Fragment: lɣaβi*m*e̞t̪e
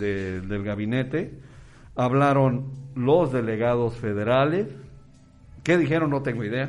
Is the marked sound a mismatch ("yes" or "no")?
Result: yes